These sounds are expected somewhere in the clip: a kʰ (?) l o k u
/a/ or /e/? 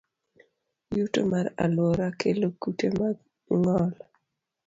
e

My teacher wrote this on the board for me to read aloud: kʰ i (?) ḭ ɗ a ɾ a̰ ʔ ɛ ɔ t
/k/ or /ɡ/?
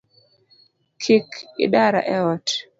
k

